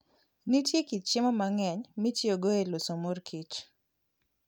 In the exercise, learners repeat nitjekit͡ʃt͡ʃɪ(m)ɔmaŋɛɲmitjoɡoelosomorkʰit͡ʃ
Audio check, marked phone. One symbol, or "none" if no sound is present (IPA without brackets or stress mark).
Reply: m